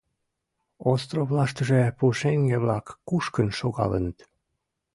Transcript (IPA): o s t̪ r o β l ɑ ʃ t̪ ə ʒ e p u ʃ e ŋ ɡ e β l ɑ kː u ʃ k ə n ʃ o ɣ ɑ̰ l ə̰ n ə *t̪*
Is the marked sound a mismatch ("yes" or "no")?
no